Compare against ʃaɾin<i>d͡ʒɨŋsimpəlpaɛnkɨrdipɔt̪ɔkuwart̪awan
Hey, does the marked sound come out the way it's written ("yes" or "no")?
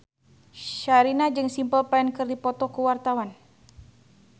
no